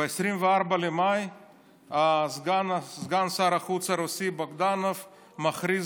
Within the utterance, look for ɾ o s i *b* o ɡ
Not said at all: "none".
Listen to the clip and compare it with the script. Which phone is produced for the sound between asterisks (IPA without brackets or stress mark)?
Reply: b